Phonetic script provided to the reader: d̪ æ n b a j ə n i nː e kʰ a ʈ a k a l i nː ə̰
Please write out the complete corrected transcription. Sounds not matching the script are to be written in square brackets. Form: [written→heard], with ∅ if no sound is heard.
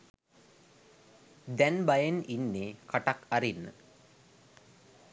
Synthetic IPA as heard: d̪ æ n b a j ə n i nː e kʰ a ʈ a k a [l→ɾ] i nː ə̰